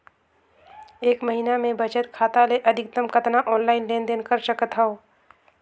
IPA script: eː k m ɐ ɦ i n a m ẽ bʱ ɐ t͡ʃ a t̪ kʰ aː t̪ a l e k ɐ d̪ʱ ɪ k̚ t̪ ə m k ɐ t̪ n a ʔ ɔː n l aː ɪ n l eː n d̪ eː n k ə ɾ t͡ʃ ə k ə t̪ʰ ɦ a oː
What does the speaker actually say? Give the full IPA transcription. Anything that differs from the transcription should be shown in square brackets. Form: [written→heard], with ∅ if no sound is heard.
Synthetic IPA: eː k m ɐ ɦ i n a m ẽ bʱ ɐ t͡ʃ [a→ə] t̪ kʰ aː t̪ a l e [k→ʔ] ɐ d̪ʱ ɪ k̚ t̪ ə m k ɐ t̪ n a ʔ ɔː n l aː ɪ n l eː n d̪ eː n k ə ɾ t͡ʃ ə k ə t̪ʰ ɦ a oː